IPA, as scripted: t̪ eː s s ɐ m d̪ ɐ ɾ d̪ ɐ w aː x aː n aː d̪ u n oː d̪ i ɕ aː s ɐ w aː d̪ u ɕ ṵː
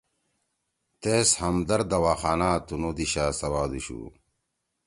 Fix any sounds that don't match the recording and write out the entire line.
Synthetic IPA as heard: t̪ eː s h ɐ m d̪ ɐ ɾ d̪ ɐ w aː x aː n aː t̪ u n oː d̪ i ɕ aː s ɐ w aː d̪ u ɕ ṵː

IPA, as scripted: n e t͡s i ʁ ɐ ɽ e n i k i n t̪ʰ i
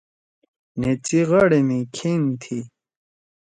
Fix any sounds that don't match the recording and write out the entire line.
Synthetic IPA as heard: n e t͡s i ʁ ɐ ɽ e m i kʰ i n t̪ʰ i

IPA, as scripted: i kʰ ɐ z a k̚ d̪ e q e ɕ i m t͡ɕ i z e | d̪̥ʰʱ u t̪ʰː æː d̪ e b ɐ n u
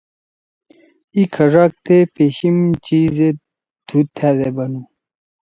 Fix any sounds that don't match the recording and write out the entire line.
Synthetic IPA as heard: i kʰ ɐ ʐ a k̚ t̪ e p e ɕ i m t͡ɕ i z e | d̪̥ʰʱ u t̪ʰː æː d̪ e b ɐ n u

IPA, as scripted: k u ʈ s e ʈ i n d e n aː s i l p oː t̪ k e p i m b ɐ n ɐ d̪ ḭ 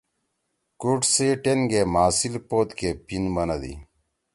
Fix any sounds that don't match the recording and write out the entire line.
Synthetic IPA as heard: k u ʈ s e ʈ e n ɡ e m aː s i l p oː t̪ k e p i n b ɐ n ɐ d̪ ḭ

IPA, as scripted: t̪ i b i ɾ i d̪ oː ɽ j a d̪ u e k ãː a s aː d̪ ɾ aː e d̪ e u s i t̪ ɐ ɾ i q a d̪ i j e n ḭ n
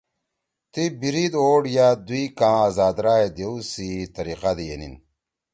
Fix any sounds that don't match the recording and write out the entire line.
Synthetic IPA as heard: t̪ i b i ɾ i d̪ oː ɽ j a d̪ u i k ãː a z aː d̪ ɾ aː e d̪ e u s i t̪ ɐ ɾ i q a d̪ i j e n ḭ n

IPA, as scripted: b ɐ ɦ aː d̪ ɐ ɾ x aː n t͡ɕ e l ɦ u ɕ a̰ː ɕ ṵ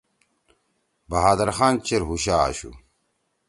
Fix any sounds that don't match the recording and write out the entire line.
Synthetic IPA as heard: b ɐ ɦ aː d̪ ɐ ɾ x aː n t͡ɕ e ɾ ɦ u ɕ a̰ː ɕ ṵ

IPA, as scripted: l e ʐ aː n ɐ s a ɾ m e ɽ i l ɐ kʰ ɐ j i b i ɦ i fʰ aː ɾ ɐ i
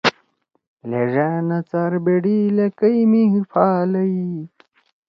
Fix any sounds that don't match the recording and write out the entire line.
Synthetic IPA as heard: l e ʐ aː n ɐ t͡s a ɾ b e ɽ i l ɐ k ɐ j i m i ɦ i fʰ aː l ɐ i

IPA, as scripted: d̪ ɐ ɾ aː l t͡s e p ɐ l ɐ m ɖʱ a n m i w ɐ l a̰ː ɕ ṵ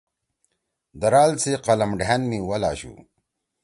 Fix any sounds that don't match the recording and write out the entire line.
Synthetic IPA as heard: d̪ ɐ ɾ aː l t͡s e q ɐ l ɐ m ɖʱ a n m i w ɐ l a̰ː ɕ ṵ

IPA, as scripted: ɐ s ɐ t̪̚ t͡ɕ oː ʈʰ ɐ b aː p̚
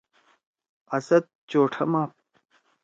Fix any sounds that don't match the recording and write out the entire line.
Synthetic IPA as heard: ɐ s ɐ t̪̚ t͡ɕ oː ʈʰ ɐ m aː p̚

